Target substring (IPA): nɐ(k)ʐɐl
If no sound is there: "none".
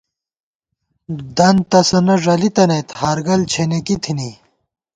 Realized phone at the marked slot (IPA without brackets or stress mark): none